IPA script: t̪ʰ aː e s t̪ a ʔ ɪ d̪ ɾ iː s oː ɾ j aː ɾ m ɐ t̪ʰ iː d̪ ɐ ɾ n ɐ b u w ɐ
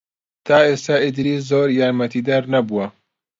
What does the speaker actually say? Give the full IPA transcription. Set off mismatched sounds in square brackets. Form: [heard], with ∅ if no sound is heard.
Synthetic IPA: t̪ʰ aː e s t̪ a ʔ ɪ d̪ ɾ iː [z] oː ɾ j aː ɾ m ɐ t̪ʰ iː d̪ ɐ ɾ n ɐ b u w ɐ